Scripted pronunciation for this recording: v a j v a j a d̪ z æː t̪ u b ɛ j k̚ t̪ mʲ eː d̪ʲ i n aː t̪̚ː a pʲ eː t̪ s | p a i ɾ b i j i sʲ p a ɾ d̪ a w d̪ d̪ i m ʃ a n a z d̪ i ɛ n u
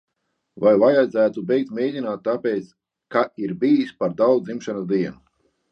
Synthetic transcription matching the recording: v a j v a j a d̪ z æː t̪ u b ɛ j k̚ t̪ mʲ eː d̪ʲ i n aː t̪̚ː a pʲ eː t̪ s | k a i ɾ b i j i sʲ p a ɾ d̪ a w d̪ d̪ i m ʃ a n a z d̪ i ɛ n u